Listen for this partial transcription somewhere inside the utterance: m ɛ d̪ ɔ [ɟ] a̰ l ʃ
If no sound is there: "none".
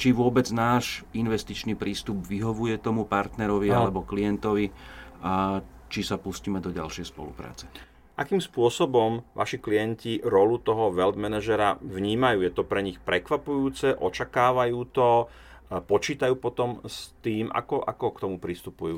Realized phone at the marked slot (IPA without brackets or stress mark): ɟ